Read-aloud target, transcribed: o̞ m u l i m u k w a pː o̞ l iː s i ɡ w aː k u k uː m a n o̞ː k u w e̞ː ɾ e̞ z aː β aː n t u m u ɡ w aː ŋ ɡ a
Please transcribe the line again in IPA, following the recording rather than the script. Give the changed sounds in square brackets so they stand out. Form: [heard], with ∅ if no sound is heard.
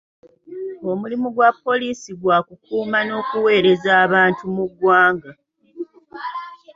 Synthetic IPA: o̞ m u l i m u [ɡ] w a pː o̞ l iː s i ɡ w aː k u k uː m a n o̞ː k u w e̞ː ɾ e̞ z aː β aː n t u m u ɡ w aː ŋ ɡ a